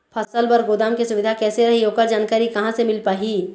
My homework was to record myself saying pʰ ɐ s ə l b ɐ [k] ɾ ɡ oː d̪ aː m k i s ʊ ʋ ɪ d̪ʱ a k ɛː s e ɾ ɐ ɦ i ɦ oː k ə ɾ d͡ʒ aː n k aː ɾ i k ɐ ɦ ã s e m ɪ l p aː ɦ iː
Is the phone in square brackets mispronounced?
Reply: yes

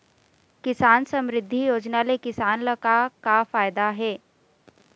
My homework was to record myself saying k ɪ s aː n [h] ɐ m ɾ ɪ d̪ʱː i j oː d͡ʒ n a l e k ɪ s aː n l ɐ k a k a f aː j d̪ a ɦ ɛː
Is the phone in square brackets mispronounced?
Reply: yes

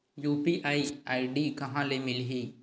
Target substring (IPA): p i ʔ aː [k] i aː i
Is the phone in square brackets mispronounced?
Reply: yes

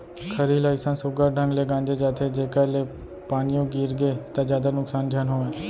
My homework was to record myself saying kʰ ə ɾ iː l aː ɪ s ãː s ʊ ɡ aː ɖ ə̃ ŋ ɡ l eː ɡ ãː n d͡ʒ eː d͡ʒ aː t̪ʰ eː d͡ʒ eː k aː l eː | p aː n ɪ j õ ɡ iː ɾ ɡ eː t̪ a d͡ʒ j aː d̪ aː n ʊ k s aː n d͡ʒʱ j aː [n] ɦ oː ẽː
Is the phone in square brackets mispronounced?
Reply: no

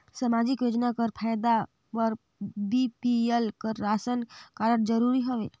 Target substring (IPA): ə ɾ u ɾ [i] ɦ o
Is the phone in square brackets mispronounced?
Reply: no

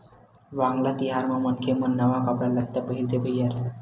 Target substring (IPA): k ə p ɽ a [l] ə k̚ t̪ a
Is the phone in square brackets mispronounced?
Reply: no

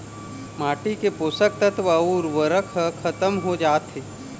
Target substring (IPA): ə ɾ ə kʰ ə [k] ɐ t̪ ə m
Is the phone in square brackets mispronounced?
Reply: yes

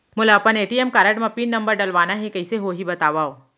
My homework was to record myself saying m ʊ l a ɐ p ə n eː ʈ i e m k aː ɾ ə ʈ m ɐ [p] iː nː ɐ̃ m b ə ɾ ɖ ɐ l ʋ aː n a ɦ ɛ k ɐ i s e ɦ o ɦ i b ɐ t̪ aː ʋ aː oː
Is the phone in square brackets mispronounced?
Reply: no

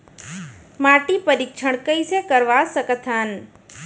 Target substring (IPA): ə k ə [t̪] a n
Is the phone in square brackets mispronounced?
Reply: yes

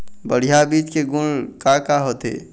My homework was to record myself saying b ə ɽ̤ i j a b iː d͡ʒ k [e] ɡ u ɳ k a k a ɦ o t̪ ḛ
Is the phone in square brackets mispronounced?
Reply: no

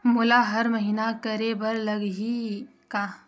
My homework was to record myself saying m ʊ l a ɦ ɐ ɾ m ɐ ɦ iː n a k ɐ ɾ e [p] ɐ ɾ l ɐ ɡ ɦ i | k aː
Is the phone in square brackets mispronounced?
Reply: yes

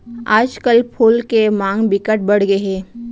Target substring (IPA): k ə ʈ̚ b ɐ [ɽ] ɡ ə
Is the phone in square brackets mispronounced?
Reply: no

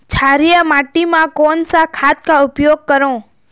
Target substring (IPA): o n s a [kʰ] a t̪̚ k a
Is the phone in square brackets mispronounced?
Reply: no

